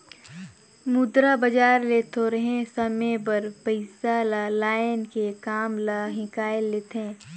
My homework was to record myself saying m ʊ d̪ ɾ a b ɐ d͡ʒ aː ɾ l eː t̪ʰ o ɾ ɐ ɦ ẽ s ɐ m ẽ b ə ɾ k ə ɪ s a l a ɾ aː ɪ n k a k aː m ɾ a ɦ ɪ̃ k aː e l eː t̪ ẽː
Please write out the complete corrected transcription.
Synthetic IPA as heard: m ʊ d̪ ɾ a b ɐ d͡ʒ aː ɾ l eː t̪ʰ o ɾ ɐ ɦ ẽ s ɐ m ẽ b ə ɾ p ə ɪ s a l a l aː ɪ n k e k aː m l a ɦ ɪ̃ k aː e l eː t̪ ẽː